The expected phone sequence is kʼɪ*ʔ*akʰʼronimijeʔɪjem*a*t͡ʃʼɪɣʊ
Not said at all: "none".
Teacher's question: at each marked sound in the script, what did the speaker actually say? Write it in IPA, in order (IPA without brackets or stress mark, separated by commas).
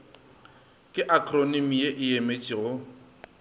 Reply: ʔ, e